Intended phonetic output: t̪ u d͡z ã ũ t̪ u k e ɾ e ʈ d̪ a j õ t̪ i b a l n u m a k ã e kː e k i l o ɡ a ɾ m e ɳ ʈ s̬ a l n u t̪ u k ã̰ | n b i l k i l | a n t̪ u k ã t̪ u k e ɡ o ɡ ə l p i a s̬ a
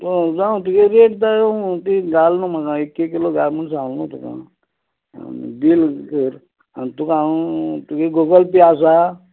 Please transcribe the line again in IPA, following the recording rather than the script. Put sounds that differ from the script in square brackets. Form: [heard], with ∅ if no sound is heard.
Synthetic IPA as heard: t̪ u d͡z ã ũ t̪ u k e ɾ e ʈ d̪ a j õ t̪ i [ɡ] a l n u m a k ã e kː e k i l o ɡ a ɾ m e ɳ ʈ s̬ a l n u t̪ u k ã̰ | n b i l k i [ɾ] | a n t̪ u k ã t̪ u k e ɡ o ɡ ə l p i a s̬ a